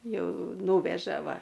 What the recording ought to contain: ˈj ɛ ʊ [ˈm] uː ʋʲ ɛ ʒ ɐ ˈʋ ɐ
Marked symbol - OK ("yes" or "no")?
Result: no